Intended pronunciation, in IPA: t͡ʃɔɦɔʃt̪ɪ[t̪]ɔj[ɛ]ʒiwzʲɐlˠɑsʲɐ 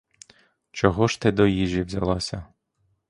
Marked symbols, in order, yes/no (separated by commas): no, no